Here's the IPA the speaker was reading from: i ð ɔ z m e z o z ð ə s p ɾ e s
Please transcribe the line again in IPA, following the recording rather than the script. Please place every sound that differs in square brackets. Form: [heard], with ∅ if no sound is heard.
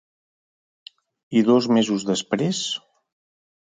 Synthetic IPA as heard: i ð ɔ z m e z [u] z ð ə s p ɾ e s